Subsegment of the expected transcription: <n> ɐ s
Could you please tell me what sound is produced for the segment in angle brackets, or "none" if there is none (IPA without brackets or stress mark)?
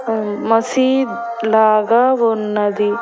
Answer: m